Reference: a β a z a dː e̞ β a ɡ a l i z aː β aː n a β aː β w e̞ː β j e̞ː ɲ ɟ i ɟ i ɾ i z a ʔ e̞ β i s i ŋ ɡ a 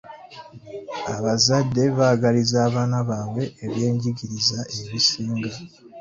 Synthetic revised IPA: a β a z a dː e̞ β a ɡ a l i z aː β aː n a β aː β w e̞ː β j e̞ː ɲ ɟ i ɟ i ɾ i z a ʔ e̞ β i s iː ŋ ɡ a